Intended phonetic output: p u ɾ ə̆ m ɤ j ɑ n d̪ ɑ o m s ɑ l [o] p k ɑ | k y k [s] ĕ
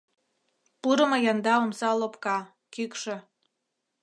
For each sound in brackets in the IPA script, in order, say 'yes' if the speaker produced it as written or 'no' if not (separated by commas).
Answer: yes, no